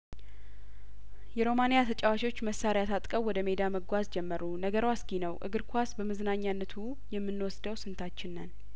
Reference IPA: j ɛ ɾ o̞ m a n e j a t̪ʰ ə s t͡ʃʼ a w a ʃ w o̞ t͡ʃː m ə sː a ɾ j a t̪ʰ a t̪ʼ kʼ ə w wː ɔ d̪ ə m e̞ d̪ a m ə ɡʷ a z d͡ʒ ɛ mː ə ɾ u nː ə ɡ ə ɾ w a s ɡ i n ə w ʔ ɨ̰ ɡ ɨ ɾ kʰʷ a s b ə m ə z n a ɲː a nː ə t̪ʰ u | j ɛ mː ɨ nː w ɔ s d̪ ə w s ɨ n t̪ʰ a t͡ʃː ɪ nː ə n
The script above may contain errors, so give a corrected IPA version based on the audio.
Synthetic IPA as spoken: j ɛ ɾ o̞ m a n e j a t̪ʰ ə t͡ʃʼ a w a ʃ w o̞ t͡ʃː m ə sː a ɾ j a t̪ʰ a t̪ʼ kʼ ə w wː ɔ d̪ ə m e̞ d̪ a m ə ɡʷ a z d͡ʒ ɛ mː ə ɾ u n ə ɡ ə ɾ w a s ɡ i n ə w ʔ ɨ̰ ɡ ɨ ɾ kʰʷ a s b ə m ə z n a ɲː a nː ə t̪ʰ u | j ɛ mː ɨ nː w ɔ s d̪ ə w s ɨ n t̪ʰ a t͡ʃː ɪ nː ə n